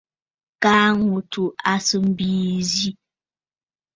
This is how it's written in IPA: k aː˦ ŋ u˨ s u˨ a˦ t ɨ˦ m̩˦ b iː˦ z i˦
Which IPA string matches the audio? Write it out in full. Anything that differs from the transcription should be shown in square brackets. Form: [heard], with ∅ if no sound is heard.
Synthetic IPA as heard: k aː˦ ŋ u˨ [t] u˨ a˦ [s] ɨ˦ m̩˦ b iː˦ z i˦